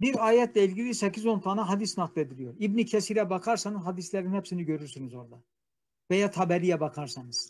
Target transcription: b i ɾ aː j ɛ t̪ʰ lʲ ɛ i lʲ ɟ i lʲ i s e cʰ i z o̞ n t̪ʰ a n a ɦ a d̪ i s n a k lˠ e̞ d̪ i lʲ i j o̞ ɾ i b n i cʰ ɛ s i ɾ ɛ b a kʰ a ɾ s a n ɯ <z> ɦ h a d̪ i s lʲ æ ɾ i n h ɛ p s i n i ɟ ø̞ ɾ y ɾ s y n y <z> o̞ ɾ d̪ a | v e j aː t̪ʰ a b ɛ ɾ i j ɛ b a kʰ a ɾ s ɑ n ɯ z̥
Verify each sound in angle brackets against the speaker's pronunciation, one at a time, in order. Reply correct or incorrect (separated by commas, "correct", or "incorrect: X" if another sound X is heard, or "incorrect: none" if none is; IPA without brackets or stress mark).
correct, correct